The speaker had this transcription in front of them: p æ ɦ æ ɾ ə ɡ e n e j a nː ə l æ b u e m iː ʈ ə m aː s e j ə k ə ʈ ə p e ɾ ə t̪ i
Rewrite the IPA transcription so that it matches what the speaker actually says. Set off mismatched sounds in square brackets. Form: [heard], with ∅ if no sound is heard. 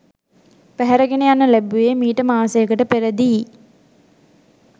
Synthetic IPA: p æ ɦ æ ɾ ə ɡ e n e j a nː ə l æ b u e m iː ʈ ə m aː s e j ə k ə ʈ ə p e ɾ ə [d̪] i